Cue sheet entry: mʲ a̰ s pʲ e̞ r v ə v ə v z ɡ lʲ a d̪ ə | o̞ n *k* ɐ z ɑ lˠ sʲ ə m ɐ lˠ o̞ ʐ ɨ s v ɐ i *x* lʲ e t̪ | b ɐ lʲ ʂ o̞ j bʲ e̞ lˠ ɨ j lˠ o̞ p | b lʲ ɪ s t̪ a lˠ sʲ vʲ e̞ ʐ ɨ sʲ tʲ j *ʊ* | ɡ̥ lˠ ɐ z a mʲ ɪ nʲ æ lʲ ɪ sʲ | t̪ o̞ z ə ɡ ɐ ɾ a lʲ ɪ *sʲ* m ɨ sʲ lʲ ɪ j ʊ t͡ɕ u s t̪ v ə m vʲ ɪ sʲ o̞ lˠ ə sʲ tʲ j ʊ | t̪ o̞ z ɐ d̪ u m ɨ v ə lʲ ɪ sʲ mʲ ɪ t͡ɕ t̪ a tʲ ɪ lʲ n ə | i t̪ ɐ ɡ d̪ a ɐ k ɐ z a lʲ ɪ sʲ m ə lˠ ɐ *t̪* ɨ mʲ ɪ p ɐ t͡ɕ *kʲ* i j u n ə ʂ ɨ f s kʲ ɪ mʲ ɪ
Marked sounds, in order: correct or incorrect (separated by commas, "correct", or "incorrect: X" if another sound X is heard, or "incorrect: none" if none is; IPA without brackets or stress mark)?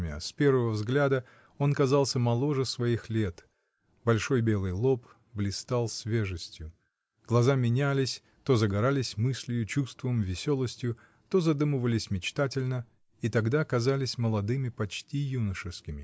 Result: correct, correct, correct, correct, incorrect: d̪, incorrect: tʲ